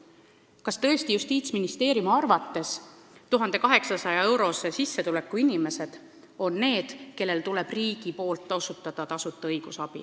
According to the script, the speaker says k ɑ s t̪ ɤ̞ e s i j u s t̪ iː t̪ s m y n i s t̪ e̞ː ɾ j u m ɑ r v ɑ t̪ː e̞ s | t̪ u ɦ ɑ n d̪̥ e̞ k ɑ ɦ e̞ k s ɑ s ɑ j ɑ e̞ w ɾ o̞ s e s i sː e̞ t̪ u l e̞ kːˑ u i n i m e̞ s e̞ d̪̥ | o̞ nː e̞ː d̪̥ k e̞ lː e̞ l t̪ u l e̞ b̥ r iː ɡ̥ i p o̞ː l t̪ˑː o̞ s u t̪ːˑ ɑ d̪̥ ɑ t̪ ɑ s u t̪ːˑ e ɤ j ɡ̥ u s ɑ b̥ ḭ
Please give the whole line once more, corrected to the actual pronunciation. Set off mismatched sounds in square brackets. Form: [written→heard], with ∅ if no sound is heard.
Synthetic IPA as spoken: k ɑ s t̪ ɤ̞ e s i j u s t̪ iː t̪ s m [y→i] n i s t̪ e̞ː ɾ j u m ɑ r v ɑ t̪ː e̞ s | t̪ u ɦ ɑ n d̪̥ e̞ k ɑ ɦ e̞ k s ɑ s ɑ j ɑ e̞ w ɾ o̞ s e s i sː e̞ t̪ u l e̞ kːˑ u i n i m e̞ s e̞ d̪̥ | o̞ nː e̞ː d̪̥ k e̞ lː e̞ l t̪ u l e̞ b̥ r iː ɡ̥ i p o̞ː l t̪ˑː o̞ s u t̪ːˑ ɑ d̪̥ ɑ t̪ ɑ s u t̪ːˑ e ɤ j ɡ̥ u s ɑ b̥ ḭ

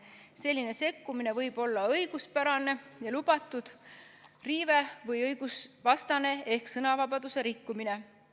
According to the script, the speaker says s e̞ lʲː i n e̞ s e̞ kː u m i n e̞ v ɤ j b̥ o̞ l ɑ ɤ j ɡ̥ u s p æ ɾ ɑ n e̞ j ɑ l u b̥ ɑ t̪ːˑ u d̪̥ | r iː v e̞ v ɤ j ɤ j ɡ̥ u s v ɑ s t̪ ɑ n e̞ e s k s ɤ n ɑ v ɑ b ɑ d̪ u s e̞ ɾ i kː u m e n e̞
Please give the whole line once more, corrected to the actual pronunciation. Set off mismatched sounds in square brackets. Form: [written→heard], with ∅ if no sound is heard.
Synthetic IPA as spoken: s e̞ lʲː i n e̞ s e̞ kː u m i n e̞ v ɤ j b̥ o̞ [l→lː] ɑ ɤ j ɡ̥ u s p æ ɾ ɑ n e̞ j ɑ l u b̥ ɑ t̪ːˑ u d̪̥ | r iː v e̞ v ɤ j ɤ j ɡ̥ u s v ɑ s t̪ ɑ n e̞ e [s→h] k s ɤ n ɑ v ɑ b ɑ d̪ u s e̞ ɾ i kː u m [e→i] n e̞

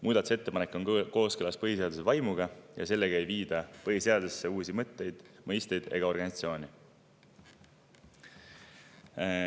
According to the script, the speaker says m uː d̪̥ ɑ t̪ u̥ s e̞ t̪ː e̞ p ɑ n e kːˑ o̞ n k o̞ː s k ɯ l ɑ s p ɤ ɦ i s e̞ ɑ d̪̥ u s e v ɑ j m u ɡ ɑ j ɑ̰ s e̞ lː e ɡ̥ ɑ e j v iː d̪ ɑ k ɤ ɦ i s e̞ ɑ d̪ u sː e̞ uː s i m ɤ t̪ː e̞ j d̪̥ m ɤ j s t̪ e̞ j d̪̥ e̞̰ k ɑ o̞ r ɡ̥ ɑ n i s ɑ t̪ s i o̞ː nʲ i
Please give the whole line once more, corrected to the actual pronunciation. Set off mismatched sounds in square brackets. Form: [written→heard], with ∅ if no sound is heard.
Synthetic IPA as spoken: m uː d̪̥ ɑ t̪ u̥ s e̞ t̪ː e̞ p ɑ n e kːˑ o̞ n k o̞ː s k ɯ l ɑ s p ɤ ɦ i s e̞ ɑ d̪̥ u s e v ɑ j m u ɡ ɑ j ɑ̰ s e̞ lː e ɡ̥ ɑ e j v iː d̪ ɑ [k→p] ɤ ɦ i s e̞ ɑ d̪ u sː e̞ uː s i m ɤ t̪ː e̞ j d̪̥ m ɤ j s t̪ e̞ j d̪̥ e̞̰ [k→ɡ] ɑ o̞ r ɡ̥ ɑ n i s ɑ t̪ s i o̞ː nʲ i

